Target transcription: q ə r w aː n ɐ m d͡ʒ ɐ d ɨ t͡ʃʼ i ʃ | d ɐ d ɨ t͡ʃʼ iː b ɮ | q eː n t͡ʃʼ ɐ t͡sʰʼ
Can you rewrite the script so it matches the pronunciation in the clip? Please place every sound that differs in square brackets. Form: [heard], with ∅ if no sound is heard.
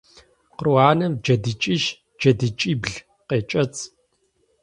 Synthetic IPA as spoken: q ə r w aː n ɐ m d͡ʒ ɐ d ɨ t͡ʃʼ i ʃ | [d͡ʒ] ɐ d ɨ t͡ʃʼ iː b ɮ | q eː [∅] t͡ʃʼ ɐ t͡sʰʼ